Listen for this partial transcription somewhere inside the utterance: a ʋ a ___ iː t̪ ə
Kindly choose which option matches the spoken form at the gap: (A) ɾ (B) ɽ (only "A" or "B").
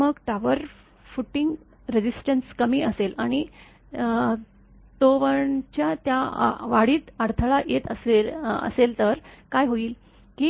B